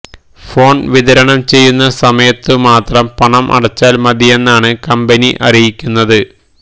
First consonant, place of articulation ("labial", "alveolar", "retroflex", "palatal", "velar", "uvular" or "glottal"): labial